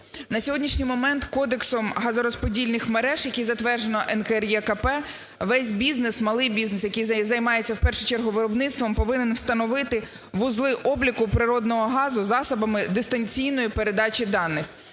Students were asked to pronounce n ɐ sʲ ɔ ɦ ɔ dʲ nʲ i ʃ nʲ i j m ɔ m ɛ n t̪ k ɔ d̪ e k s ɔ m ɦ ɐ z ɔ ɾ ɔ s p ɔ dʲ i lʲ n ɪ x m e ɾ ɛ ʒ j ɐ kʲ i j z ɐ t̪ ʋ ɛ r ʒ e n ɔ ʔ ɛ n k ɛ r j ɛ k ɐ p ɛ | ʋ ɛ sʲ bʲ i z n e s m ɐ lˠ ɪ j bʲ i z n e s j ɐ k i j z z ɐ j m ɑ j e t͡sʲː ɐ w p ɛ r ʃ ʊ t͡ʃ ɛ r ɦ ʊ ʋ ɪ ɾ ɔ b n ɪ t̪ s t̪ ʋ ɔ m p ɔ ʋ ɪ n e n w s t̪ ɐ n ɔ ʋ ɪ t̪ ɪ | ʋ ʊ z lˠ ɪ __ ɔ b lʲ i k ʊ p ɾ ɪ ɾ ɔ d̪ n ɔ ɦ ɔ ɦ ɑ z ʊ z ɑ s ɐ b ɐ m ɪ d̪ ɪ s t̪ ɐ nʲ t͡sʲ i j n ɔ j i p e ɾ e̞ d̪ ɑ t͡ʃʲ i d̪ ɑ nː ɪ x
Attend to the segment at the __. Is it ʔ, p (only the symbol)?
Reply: ʔ